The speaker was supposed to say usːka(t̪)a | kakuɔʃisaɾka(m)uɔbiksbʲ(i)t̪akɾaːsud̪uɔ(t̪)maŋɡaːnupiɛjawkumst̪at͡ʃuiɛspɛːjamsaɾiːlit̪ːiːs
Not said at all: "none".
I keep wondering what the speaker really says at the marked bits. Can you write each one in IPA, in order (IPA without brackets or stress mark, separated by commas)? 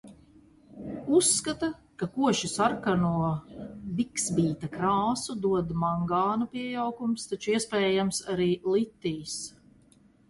t̪, n, iː, d̪